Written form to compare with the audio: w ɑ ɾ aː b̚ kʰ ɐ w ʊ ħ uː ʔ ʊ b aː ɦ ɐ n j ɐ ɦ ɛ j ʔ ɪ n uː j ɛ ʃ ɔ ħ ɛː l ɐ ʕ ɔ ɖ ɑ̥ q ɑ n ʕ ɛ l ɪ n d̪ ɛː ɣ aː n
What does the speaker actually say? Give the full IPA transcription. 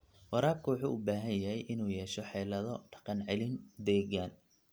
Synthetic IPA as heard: w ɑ ɾ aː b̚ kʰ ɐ w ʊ ħ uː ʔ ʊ b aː ɦ ɐ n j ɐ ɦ ɛ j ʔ ɪ n uː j ɛː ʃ ɔ ħ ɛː l ɐ ð ɔ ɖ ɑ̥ q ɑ n ʕ ɛ l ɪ n d̪ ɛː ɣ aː n

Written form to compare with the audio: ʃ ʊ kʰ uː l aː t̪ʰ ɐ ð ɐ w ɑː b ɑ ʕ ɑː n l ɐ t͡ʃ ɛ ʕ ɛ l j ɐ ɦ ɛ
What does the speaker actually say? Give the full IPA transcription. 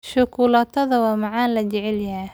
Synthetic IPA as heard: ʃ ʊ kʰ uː l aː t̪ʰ ɐ ð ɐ w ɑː m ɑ ʕ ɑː n l ɐ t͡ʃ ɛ ʕ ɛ l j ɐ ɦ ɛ

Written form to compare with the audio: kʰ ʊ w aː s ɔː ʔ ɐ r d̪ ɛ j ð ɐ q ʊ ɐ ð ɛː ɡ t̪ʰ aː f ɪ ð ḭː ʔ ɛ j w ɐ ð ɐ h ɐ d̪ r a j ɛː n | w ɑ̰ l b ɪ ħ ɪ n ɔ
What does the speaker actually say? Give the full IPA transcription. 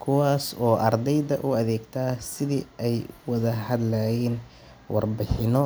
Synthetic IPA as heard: kʰ ʊ w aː s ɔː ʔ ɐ r d̪ ɛ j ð ɐ ʔ ʊ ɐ ð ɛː ɡ t̪ʰ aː s ɪ ð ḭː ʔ ɛ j w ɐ ð ɐ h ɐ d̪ l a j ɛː n | w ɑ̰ r b ɪ ħ ɪ n ɔ

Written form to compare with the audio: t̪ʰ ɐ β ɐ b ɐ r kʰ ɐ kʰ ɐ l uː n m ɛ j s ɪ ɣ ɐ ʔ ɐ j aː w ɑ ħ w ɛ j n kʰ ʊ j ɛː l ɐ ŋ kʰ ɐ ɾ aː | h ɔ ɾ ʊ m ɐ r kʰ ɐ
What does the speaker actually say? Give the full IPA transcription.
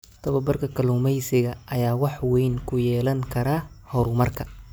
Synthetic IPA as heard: t̪ʰ ɐ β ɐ b ɐ r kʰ ɐ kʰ ɐ l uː m ɛ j s ɪ ɣ ɐ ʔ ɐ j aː w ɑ ħ w ɛ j n kʰ ʊ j ɛː l ɐ ŋ kʰ ɐ ɾ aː | h ɔ ɾ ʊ m ɐ r kʰ ɐ

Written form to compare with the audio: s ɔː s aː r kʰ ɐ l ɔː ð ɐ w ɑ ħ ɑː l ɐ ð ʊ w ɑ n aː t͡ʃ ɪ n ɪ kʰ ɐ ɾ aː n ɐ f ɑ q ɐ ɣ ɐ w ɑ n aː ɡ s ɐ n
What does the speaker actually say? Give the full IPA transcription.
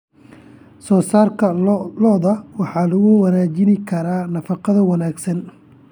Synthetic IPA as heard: s ɔː s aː r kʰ ɐ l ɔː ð ɐ w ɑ ħ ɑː l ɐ ɣ ʊ w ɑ n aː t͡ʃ ɪ n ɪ kʰ ɐ ɾ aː n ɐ f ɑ q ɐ ð ɐ w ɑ n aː ɡ s ɐ n

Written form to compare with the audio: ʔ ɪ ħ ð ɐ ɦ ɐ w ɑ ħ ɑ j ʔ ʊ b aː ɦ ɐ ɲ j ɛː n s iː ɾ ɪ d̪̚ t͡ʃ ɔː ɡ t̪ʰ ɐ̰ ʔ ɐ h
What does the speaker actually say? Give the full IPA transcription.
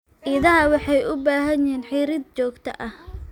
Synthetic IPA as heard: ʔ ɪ ð ɐ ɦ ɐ w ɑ ħ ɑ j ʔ ʊ b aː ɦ ɐ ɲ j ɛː n ħ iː ɾ ɪ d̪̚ t͡ʃ ɔː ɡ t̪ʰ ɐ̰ ʔ ɐ h

